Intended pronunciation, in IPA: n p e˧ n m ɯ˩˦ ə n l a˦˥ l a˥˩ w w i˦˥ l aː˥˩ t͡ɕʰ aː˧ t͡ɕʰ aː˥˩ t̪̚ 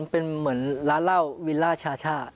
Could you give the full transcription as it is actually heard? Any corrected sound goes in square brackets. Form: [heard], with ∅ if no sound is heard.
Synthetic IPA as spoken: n p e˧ n m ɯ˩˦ ə n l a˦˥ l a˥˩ w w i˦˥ l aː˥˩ t͡ɕʰ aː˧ t͡ɕʰ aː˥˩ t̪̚